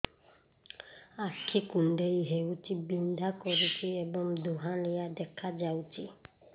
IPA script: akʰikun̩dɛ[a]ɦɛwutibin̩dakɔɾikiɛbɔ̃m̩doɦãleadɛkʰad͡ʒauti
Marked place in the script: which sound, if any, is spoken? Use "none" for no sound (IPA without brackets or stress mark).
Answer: i